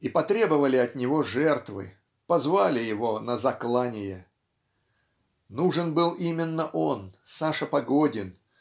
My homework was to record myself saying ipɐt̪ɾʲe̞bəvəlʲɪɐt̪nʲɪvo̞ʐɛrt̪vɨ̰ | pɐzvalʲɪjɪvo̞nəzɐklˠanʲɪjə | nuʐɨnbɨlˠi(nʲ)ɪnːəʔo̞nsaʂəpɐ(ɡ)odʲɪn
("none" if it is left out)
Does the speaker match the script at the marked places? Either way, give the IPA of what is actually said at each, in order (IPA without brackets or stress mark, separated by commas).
mʲ, ɡ